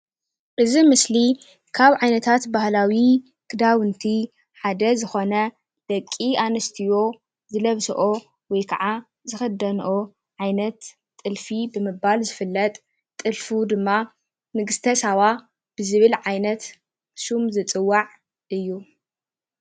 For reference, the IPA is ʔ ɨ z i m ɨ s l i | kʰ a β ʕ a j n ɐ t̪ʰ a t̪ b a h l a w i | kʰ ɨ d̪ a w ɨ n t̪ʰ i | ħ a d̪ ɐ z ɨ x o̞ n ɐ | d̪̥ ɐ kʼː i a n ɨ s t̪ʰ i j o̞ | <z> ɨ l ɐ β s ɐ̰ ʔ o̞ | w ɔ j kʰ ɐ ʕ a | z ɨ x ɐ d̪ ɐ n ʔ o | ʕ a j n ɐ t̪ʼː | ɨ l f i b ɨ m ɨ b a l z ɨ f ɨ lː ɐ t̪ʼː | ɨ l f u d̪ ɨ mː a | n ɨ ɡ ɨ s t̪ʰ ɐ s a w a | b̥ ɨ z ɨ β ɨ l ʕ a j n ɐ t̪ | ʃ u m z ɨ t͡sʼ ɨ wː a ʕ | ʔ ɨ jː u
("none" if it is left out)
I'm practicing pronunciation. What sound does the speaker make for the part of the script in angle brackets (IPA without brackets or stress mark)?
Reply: z